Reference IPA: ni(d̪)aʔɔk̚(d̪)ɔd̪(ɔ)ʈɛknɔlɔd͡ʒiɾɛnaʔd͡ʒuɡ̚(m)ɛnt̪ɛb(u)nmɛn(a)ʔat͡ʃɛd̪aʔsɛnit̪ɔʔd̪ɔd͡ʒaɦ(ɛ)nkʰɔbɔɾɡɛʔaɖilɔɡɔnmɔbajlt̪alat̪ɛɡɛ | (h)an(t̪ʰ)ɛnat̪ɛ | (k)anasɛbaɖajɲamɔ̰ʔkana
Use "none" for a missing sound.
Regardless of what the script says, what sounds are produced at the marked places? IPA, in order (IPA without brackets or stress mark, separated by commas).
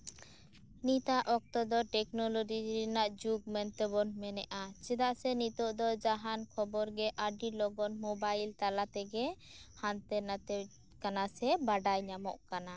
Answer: t̪, t̪, ɔ, m, ɔ, ɛ, a, h, t̪, k